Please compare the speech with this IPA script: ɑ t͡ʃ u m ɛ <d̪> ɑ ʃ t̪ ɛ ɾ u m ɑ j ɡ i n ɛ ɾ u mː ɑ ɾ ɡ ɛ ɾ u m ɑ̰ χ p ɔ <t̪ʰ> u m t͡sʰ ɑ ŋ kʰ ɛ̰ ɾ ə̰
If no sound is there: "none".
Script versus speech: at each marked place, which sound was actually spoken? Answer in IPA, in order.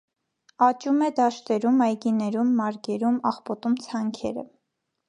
d̪, t̪

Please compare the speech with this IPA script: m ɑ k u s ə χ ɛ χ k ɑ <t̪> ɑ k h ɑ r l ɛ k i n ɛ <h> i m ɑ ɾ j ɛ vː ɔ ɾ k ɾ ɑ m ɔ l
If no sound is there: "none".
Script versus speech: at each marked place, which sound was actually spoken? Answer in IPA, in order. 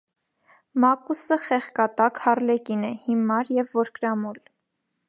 t̪, h

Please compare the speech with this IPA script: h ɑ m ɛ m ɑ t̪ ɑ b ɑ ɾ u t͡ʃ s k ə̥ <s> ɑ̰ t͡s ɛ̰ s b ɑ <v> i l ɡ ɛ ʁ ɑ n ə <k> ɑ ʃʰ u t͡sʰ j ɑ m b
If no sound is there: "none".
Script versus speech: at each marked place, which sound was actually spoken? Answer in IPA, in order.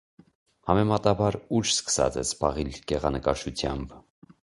s, ʁ, k

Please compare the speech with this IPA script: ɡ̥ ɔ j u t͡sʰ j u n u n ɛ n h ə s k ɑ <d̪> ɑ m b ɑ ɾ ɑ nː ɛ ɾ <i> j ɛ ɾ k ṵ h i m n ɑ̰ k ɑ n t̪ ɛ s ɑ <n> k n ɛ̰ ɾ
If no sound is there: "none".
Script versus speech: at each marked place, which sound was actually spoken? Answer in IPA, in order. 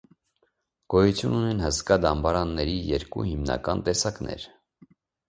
d̪, i, none

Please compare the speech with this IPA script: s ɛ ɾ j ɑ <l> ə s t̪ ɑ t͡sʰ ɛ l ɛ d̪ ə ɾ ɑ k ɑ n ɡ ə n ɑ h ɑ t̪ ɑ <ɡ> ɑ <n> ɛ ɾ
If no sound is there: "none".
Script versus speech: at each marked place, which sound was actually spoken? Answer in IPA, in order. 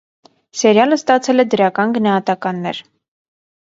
l, k, nː

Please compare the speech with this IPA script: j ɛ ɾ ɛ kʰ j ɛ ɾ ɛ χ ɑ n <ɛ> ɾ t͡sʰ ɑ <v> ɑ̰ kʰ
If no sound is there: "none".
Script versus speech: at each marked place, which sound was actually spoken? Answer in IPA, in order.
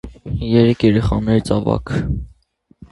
ɛ, v

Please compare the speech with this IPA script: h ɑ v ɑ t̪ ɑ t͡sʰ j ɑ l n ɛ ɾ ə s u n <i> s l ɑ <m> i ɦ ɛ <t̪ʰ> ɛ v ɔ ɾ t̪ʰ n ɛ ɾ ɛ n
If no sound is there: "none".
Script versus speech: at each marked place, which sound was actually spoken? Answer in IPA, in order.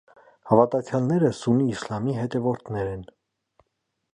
iː, m, t̪

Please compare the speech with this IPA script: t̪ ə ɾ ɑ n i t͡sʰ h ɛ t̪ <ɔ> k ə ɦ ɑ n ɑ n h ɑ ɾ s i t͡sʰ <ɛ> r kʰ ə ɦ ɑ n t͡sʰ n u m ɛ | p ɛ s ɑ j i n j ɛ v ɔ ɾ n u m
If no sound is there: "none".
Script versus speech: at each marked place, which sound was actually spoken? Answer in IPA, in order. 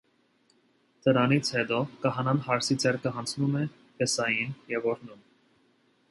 ɔ, ɛ

